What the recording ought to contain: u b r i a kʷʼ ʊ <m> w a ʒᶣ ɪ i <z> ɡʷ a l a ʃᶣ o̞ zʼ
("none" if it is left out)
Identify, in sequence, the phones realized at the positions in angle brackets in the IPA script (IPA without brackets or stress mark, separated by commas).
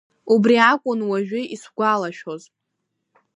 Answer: n, s